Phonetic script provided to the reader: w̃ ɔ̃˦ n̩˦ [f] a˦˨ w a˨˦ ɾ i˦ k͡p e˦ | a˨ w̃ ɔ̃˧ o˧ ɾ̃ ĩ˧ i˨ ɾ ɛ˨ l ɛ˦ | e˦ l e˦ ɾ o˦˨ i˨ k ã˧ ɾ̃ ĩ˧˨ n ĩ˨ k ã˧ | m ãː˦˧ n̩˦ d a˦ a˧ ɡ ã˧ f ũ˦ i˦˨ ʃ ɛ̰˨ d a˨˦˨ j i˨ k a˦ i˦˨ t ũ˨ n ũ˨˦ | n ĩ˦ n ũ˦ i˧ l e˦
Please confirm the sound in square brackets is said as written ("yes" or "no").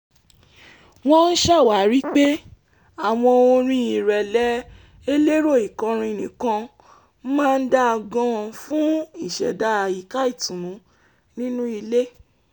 no